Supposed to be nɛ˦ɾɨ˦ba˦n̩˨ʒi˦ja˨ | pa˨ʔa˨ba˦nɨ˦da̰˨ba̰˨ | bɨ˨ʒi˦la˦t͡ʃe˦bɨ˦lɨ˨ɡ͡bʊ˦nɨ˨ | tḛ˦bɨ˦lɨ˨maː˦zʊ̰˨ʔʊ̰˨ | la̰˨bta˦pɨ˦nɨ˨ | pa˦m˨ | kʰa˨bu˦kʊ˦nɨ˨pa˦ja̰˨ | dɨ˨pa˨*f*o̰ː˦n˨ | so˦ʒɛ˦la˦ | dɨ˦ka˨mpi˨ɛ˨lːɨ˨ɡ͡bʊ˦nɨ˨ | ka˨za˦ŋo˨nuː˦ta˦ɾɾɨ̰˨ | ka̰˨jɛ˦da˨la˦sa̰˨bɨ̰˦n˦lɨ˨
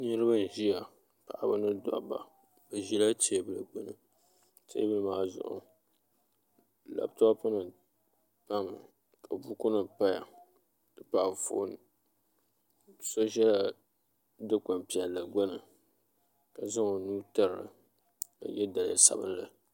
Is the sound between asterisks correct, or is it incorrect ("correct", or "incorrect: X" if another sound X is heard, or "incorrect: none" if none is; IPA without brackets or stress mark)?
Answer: correct